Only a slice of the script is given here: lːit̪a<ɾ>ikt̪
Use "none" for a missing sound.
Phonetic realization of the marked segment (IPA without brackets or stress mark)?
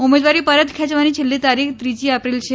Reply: ɾ